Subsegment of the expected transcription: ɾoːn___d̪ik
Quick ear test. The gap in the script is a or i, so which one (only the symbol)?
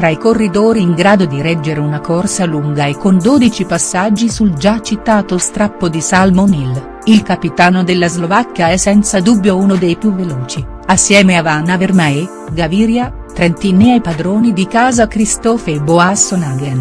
i